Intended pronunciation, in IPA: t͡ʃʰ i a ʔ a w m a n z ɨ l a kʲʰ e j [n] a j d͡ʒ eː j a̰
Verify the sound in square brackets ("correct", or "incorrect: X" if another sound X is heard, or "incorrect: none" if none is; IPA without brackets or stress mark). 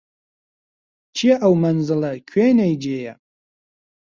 correct